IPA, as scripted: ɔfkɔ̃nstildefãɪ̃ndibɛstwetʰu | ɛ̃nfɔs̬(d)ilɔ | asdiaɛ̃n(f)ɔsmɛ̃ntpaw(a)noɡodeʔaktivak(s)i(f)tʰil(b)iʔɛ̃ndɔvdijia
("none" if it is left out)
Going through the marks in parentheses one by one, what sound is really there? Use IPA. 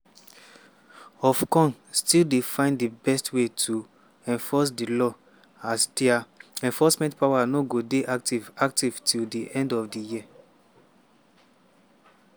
d, f, a, t, v, d

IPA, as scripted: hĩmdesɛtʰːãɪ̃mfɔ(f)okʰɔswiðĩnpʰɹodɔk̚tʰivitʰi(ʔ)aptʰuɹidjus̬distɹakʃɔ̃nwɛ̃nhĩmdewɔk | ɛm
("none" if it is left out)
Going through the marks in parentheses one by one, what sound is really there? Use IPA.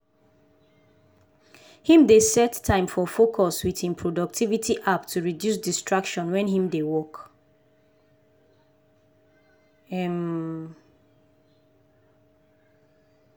f, ʔ

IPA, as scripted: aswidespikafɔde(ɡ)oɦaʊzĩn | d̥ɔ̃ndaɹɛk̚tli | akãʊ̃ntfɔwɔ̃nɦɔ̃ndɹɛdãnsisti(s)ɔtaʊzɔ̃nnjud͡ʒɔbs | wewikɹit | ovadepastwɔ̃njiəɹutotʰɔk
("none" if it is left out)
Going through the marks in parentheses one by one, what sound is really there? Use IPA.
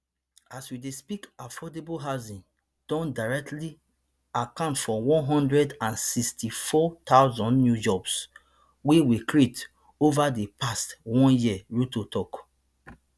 b, f

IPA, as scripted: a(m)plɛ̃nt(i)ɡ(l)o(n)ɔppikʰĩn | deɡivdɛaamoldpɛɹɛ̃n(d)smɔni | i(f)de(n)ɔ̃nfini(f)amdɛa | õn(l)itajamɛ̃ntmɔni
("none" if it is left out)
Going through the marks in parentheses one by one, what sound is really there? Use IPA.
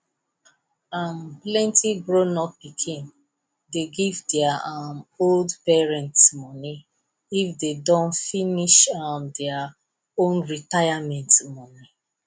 m, i, ɹ, n, t, f, d, ʃ, ɹ

